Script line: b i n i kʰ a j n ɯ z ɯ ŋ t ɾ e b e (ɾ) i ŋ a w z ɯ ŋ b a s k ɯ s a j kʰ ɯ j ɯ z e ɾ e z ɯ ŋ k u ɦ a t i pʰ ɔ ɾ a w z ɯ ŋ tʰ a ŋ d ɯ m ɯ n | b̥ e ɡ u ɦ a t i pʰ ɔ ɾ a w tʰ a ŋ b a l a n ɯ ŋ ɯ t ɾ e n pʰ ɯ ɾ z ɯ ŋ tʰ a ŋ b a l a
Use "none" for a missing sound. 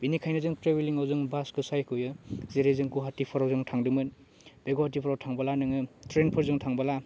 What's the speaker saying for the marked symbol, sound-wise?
l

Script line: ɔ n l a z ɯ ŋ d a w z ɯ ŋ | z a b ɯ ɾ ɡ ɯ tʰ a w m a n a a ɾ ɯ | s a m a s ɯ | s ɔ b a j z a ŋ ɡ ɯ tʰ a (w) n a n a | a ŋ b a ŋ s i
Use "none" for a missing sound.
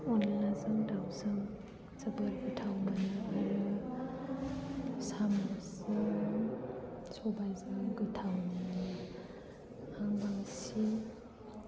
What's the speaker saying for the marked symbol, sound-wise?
w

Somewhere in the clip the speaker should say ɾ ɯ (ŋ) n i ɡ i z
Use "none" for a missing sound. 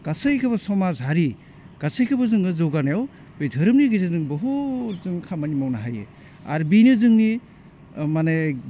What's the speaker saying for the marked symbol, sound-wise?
m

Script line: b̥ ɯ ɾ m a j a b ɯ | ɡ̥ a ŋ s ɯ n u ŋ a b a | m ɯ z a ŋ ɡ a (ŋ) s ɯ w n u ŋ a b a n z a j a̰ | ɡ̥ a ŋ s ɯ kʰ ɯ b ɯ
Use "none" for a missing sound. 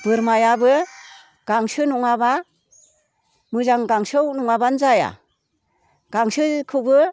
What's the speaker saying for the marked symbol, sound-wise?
ŋ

